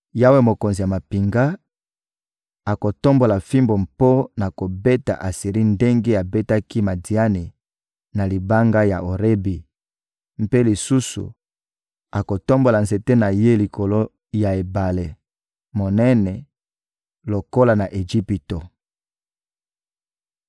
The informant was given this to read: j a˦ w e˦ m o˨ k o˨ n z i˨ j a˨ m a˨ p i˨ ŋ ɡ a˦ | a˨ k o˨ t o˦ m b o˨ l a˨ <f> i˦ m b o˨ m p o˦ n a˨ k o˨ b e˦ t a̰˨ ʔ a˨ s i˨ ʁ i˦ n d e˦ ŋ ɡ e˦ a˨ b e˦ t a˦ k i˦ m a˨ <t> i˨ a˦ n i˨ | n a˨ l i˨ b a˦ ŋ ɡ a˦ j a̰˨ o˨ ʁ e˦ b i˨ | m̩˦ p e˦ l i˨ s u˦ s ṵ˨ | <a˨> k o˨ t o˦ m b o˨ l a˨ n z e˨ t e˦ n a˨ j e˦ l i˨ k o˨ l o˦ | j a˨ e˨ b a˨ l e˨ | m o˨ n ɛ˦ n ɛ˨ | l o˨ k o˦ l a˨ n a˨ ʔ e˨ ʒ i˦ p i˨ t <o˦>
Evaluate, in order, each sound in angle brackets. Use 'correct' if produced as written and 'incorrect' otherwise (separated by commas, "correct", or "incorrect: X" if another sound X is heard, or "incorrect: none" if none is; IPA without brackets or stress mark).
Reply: correct, incorrect: d, correct, incorrect: o˨